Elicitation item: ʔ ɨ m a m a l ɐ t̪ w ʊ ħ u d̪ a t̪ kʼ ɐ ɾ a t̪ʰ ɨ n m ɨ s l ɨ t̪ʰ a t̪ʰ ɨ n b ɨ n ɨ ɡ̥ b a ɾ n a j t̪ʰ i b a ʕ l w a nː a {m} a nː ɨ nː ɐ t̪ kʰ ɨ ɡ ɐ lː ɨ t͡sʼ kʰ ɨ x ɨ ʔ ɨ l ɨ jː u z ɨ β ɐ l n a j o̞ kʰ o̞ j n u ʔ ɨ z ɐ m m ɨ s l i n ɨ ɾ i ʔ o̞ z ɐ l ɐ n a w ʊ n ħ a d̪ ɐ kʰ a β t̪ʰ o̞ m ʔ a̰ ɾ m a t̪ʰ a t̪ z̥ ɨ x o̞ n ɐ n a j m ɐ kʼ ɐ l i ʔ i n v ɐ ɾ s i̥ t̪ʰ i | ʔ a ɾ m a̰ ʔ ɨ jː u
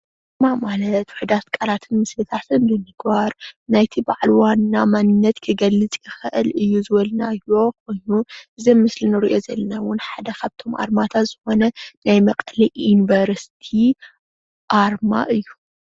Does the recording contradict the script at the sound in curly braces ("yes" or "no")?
no